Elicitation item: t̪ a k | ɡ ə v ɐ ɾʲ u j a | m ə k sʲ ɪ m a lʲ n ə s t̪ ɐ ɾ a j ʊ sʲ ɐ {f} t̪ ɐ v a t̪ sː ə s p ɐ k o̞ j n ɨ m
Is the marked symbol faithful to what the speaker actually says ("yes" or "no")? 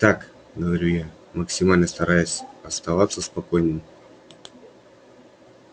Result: no